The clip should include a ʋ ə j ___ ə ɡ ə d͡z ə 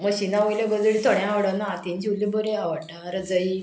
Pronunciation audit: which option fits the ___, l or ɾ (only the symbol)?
l